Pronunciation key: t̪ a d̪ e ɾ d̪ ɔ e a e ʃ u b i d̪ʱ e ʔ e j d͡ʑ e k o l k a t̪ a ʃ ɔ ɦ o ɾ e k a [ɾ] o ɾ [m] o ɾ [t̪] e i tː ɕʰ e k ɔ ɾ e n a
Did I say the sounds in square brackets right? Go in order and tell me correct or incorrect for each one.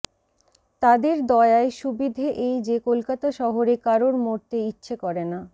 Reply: correct, correct, correct

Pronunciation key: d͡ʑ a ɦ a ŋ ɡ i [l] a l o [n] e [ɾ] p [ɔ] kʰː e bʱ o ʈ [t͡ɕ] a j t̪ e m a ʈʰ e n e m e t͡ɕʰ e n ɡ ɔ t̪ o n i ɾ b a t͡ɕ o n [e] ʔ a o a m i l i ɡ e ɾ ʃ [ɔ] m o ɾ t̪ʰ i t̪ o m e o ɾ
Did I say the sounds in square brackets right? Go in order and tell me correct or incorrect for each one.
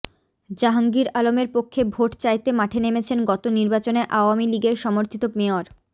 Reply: incorrect, incorrect, correct, incorrect, correct, correct, correct

